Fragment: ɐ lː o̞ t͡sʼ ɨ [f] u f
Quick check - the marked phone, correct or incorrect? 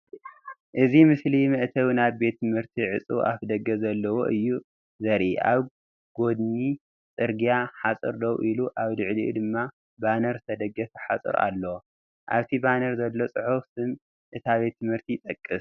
incorrect